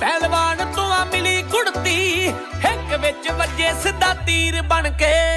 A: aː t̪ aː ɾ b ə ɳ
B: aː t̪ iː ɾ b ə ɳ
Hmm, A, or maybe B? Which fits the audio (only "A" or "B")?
B